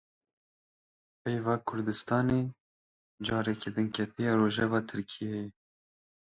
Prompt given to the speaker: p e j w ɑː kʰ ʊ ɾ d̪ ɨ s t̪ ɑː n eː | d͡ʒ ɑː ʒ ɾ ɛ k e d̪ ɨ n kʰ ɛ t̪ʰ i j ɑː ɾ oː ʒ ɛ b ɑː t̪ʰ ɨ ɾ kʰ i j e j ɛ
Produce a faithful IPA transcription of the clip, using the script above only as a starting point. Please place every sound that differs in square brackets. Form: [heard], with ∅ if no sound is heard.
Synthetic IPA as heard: p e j [v] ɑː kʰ ʊ ɾ d̪ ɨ s t̪ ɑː n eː | d͡ʒ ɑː [∅] ɾ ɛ k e d̪ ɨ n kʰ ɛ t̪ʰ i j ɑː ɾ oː ʒ ɛ [v] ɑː t̪ʰ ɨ ɾ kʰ i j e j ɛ